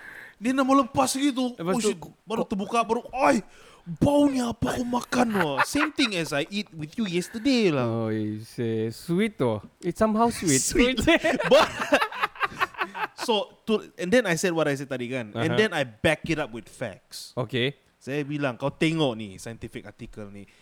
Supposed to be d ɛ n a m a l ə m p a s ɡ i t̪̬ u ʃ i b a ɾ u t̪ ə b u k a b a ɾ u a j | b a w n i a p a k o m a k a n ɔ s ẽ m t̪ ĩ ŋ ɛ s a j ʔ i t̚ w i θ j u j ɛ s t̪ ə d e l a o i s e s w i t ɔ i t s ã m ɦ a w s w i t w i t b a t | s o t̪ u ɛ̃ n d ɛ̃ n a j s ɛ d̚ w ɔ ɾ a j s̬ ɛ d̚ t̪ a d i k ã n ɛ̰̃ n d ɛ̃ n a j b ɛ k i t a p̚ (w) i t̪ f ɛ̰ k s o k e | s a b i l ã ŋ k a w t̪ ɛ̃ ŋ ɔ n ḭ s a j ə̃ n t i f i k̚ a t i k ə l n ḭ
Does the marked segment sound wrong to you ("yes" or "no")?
no